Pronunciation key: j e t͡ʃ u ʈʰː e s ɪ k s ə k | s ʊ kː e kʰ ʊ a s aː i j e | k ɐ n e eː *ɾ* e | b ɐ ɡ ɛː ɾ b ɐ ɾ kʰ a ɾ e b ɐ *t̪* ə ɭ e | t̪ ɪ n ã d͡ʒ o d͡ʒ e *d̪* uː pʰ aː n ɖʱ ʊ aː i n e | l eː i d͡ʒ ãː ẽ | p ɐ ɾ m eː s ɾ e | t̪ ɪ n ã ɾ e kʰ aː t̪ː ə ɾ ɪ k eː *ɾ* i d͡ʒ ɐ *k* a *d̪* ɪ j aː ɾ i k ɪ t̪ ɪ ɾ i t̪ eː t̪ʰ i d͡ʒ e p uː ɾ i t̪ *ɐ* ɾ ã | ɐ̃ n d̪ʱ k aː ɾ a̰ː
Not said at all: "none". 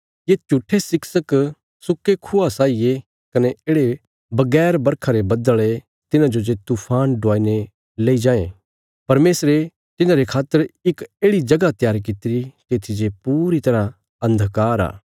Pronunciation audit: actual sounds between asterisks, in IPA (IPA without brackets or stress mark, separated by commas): ɽ, d̪, t̪, ɽ, ɡ, t̪, ɐ